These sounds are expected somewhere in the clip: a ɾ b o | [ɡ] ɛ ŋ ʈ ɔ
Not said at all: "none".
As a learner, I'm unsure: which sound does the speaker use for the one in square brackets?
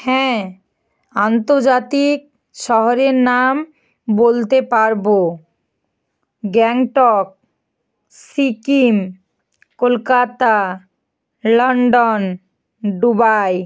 ɡ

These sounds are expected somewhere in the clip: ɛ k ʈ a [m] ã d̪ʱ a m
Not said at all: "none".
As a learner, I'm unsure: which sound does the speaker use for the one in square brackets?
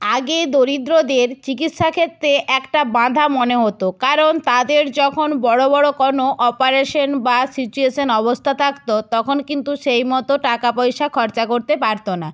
b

